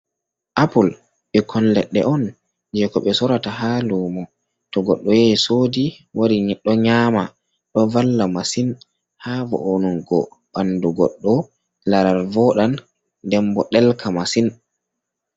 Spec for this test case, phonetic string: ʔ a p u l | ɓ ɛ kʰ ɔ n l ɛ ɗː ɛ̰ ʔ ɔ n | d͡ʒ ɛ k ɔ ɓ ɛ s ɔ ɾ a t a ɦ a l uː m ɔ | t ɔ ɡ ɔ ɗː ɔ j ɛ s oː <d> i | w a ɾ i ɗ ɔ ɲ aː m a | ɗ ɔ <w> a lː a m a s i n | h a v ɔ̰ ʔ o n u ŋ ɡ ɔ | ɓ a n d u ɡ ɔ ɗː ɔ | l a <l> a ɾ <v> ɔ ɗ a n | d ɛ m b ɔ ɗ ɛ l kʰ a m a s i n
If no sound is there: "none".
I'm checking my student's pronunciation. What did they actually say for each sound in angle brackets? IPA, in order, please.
d, v, ɾ, v

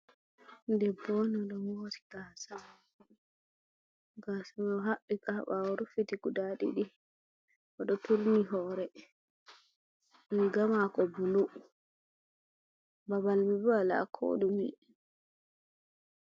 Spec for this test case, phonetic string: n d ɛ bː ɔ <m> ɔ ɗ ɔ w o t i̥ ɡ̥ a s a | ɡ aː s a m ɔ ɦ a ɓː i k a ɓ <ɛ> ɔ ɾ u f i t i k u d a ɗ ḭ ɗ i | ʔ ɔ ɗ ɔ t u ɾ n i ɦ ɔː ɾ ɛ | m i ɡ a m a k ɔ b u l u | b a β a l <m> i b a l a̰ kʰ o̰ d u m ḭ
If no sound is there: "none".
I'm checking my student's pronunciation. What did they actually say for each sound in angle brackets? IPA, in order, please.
n, a, m

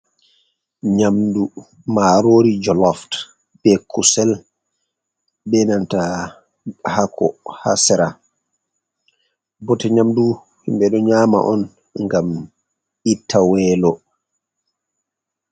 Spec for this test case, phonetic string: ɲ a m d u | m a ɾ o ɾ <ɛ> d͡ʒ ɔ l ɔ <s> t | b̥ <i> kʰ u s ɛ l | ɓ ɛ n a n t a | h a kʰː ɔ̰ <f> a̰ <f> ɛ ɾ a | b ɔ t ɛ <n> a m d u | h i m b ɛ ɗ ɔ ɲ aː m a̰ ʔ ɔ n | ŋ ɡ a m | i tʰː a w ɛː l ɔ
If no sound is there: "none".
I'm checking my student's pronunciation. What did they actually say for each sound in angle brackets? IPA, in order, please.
i, f, ɛ, h, s, ɲ

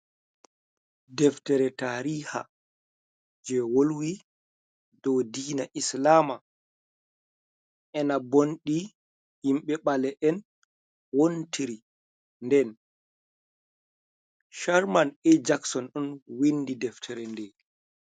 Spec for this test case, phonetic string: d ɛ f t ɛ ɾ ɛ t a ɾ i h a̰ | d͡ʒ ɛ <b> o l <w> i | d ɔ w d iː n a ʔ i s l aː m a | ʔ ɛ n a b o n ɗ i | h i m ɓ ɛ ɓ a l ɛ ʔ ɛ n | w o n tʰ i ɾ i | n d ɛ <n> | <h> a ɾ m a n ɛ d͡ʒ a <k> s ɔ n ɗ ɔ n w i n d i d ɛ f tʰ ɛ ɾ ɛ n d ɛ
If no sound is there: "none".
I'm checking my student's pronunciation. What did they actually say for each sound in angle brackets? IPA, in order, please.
w, w, n, ʃ, k

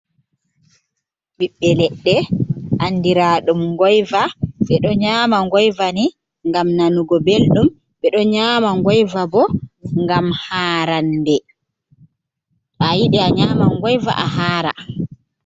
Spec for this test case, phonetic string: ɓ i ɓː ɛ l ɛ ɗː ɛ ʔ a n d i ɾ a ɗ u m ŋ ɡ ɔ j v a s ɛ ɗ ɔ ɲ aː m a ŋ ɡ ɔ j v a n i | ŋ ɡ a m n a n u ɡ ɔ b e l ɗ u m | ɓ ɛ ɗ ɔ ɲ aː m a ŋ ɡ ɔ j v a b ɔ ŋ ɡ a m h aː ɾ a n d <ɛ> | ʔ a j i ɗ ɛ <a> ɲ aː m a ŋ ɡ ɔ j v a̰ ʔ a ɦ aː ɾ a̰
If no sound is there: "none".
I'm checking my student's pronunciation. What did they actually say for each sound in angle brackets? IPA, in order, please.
ɛ, a

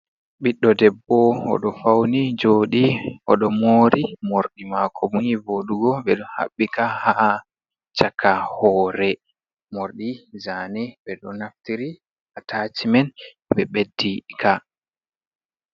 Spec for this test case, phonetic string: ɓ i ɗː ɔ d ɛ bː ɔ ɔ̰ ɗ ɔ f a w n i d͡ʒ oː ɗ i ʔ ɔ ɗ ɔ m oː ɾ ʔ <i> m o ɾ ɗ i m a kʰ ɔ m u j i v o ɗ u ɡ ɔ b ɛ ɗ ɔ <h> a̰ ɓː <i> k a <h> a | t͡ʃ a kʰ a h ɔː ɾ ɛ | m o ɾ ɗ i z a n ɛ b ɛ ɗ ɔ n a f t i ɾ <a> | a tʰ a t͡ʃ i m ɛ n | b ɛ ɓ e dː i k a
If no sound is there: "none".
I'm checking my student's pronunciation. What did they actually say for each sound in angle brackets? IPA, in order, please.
i, h, i, h, i

